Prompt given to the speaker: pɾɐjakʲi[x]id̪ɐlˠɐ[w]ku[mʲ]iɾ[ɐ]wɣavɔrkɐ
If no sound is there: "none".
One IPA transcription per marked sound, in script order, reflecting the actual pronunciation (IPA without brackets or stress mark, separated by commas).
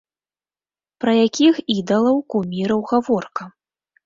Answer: x, w, mʲ, ɐ